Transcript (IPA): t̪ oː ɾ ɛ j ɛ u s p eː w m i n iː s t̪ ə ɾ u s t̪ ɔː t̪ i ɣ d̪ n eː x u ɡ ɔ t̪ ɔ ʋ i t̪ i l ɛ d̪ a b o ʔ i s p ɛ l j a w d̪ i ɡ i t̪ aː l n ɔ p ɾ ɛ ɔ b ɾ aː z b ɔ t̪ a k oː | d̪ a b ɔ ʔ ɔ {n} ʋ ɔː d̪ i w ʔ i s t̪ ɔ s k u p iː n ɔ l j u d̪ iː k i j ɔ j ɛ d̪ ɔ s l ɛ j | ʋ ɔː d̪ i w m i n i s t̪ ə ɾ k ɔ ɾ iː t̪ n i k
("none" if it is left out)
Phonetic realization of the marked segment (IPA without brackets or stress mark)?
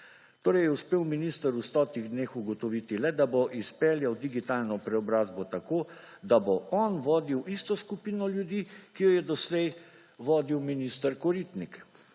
n